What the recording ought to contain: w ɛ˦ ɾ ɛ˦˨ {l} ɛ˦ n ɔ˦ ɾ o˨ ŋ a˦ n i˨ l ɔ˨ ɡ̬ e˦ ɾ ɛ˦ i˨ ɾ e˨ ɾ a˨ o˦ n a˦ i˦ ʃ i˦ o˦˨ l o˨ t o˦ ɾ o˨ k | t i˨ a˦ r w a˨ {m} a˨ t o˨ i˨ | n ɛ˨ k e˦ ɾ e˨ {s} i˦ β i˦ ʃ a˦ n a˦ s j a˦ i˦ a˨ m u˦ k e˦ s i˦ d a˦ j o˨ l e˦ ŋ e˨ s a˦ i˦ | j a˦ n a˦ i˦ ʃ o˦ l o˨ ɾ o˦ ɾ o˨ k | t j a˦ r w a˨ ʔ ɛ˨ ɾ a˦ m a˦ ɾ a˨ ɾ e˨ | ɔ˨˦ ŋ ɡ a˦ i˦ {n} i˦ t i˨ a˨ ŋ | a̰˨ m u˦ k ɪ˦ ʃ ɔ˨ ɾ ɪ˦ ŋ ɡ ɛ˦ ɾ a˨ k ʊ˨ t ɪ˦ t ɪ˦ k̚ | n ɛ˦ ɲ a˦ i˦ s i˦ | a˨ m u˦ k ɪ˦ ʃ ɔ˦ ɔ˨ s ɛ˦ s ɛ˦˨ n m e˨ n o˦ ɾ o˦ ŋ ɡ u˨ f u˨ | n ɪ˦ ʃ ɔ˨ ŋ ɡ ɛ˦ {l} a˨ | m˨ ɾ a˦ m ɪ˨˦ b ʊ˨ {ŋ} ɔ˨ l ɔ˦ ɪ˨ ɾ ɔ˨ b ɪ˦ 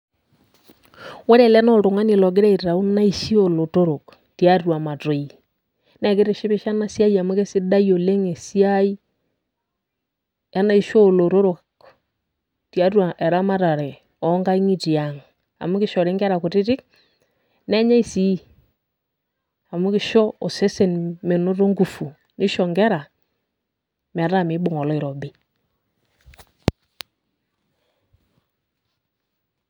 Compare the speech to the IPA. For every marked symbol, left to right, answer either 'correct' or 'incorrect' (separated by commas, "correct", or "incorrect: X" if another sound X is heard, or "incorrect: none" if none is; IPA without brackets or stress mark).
correct, correct, incorrect: ʃ, incorrect: ŋ, incorrect: ɾ, correct